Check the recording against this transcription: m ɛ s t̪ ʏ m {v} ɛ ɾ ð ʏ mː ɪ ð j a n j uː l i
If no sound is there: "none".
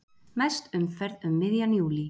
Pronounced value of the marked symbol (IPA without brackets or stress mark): f